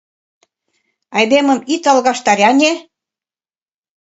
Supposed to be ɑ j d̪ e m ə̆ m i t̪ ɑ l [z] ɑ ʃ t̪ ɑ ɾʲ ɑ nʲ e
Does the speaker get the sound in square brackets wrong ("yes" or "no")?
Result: yes